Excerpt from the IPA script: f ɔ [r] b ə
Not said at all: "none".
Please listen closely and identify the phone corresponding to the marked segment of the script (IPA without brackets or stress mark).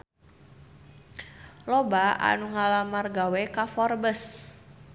r